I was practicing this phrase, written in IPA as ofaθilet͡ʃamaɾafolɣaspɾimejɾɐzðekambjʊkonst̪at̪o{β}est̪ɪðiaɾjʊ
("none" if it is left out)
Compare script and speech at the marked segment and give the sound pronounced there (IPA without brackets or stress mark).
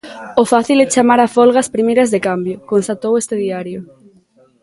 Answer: w